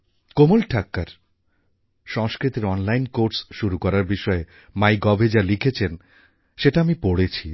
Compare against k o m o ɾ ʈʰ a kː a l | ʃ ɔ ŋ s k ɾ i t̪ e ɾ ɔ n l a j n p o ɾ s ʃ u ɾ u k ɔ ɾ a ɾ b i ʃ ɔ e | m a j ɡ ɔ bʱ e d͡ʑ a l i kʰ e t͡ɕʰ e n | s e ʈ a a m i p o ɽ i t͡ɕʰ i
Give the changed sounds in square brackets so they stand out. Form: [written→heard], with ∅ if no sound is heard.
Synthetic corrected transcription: k o m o [ɾ→l] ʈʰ a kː a [l→ɾ] | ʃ ɔ ŋ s k ɾ i t̪ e ɾ ɔ n l a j n [p→k] o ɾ s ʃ u ɾ u k ɔ ɾ a ɾ b i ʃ ɔ e | m a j ɡ ɔ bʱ e d͡ʑ a l i kʰ e t͡ɕʰ e n | [s→ʃ] e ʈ a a m i p o ɽ [i→e] t͡ɕʰ i